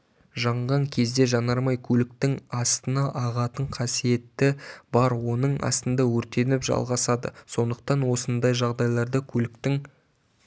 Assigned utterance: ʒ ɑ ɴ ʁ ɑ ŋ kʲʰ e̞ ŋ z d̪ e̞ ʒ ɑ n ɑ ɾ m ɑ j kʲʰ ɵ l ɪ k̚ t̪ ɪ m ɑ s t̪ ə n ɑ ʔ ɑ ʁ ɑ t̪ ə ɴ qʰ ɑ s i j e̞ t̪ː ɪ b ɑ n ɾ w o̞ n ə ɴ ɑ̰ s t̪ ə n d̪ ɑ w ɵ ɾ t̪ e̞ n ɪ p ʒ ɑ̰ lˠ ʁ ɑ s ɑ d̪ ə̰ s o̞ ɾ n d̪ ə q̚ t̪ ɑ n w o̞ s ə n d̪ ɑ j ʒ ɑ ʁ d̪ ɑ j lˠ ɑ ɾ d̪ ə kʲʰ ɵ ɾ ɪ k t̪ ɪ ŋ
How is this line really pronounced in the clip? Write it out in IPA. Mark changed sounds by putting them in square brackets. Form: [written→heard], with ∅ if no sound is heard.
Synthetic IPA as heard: ʒ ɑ ɴ ʁ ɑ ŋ kʲʰ e̞ [ŋ→∅] z d̪ e̞ ʒ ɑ n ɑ ɾ m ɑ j kʲʰ ɵ l ɪ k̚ t̪ ɪ [m→ŋ] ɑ s t̪ ə n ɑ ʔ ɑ ʁ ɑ t̪ ə ɴ qʰ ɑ s i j e̞ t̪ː ɪ b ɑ [n→∅] ɾ w o̞ n ə ɴ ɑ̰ s t̪ ə n d̪ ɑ w ɵ ɾ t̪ e̞ n ɪ p ʒ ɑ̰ lˠ ʁ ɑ s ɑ d̪ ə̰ s o̞ [ɾ→∅] n d̪ ə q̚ t̪ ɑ n w o̞ s ə n d̪ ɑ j ʒ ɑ ʁ d̪ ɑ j lˠ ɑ ɾ d̪ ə kʲʰ ɵ [ɾ→l] ɪ k t̪ ɪ ŋ